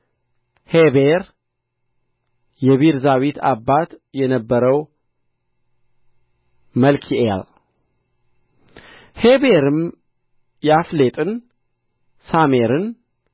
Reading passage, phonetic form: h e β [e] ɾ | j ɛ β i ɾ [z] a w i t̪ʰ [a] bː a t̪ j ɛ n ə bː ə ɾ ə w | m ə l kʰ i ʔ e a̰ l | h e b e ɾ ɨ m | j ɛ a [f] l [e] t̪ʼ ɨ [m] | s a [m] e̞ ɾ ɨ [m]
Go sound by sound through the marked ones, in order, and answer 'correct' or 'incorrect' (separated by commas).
correct, correct, correct, correct, correct, incorrect, correct, incorrect